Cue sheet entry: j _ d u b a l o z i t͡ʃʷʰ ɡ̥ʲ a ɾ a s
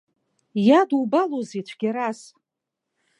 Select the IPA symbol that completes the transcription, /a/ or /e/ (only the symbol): a